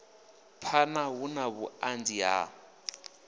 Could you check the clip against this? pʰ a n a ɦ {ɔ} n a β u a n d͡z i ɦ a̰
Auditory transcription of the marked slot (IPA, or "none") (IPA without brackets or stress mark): u